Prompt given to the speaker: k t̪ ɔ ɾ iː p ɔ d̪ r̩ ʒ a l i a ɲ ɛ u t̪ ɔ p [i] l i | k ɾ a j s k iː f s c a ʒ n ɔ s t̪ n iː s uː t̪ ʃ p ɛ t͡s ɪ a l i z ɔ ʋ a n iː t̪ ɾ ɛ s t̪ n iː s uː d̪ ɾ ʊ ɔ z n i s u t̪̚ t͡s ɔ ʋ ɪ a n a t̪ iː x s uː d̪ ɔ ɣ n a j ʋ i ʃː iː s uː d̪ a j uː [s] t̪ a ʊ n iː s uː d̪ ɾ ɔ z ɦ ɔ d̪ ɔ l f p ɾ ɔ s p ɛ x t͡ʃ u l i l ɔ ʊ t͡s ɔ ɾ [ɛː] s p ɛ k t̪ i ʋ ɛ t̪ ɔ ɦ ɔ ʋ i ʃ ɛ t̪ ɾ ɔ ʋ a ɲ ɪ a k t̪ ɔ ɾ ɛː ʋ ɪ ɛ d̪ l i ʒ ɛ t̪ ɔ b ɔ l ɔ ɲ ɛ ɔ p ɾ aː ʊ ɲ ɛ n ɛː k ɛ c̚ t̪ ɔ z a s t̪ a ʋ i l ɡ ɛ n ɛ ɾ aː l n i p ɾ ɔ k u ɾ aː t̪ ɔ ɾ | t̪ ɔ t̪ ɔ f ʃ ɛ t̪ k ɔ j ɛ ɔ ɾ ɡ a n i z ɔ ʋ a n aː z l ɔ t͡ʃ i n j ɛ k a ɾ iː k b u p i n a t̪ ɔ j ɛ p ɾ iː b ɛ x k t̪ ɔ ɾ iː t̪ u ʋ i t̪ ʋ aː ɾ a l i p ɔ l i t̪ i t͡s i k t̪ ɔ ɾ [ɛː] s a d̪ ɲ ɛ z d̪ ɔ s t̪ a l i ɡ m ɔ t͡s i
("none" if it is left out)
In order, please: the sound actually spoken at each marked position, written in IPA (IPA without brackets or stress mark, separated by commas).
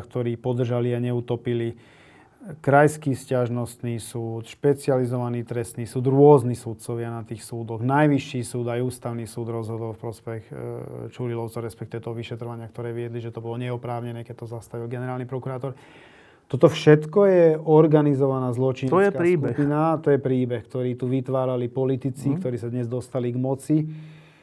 i, s, ɛ, iː